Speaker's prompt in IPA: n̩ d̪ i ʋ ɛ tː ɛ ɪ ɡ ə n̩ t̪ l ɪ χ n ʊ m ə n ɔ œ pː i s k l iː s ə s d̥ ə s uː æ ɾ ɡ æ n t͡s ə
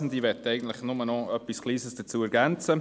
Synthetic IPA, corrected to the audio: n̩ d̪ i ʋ ɛ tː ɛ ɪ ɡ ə n̩ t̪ l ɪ χ n ʊ m ə n ɔ œ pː i s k l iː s ə s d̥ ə t͡s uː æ ɾ ɡ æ n t͡s ə